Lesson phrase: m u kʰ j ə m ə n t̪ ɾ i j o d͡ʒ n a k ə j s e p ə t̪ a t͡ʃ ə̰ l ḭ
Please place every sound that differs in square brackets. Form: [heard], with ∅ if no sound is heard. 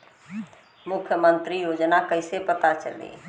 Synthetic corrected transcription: m u kʰ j ə m ə n t̪ ɾ i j o d͡ʒ n a k ə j s e p ə t̪ a t͡ʃ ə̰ l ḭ